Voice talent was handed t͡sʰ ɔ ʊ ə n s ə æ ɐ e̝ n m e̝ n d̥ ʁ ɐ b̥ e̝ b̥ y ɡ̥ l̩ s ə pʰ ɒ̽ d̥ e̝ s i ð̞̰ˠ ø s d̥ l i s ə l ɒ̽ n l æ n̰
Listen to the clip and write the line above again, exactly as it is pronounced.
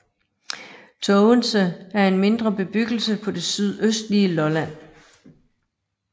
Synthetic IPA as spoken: t͡sʰ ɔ ʊ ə n s ə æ ɐ e̝ n m e̝ n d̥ ʁ ɐ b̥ e̝ b̥ y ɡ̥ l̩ s ə pʰ ɒ̽ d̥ e̝ s y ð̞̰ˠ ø s d̥ l i ə l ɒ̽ l æ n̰